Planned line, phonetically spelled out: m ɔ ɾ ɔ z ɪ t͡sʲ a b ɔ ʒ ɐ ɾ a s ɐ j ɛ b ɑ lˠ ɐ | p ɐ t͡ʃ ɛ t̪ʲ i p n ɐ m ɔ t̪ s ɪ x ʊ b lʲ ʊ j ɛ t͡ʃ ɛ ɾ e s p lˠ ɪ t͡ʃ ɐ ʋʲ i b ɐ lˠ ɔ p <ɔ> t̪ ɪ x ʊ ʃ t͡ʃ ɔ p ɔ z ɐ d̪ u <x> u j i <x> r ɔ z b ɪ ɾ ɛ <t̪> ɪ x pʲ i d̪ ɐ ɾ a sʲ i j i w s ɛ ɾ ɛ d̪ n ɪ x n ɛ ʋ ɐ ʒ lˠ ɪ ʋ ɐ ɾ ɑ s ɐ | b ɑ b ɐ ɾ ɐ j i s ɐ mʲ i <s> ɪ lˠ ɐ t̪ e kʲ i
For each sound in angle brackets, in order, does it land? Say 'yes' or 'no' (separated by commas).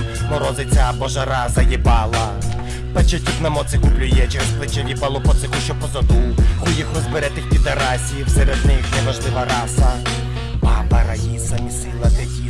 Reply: yes, yes, yes, yes, yes